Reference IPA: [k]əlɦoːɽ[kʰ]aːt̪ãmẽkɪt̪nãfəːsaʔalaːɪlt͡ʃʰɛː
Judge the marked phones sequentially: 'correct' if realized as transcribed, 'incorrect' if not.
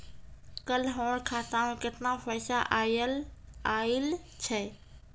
correct, correct

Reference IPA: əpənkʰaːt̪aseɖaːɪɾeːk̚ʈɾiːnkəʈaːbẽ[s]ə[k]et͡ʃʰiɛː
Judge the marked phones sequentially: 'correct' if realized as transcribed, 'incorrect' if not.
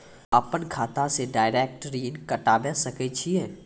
correct, correct

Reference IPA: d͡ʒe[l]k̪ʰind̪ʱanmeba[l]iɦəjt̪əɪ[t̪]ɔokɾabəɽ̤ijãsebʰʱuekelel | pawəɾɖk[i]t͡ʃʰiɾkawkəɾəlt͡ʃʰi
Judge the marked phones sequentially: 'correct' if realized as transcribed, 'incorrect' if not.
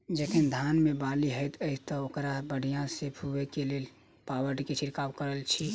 incorrect, correct, correct, incorrect

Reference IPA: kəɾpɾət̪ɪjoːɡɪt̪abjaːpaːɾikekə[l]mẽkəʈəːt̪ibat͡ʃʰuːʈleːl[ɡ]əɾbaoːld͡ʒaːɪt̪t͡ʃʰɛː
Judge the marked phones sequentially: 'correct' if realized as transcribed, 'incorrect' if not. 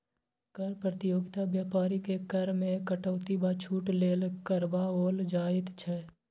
incorrect, incorrect

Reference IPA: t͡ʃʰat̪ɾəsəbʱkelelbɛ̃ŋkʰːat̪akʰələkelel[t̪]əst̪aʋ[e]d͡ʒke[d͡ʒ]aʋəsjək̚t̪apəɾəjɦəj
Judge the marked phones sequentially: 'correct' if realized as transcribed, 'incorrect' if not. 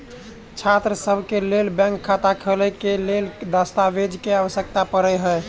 incorrect, correct, incorrect

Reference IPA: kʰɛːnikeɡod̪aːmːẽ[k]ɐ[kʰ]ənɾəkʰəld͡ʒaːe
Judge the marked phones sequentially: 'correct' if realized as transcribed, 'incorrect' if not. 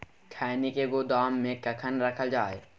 correct, correct

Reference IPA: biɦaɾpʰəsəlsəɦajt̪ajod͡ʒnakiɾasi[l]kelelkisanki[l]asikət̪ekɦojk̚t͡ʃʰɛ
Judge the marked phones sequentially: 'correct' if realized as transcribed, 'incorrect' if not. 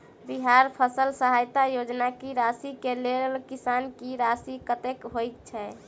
incorrect, incorrect

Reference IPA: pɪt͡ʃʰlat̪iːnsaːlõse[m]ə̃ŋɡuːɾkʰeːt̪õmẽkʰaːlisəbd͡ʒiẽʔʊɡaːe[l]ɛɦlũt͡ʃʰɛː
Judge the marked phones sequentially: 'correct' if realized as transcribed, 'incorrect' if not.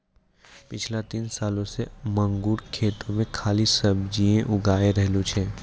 correct, incorrect

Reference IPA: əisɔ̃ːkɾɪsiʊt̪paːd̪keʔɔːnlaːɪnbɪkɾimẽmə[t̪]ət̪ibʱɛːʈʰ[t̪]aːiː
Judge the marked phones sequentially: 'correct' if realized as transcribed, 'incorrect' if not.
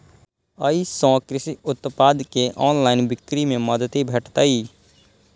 incorrect, correct

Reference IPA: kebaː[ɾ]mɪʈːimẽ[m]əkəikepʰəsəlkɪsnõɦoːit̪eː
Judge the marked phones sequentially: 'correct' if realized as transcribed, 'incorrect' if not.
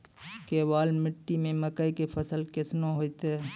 incorrect, correct

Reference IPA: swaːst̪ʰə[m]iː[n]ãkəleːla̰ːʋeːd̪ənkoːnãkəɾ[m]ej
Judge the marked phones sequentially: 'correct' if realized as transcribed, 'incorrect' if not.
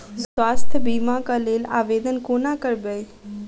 incorrect, incorrect, incorrect

